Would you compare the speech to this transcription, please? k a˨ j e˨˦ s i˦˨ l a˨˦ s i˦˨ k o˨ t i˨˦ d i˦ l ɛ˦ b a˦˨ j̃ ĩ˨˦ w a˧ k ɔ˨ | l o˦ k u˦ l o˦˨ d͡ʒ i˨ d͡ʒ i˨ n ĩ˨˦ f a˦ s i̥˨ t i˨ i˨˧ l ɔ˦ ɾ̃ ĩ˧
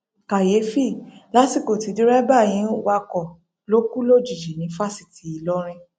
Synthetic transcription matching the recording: k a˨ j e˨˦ f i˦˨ l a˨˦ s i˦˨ k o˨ t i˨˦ d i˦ ɾ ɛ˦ b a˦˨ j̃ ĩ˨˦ w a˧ k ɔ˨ | l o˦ k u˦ l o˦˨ d͡ʒ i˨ d͡ʒ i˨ n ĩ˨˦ f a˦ s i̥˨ t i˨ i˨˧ l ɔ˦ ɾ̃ ĩ˧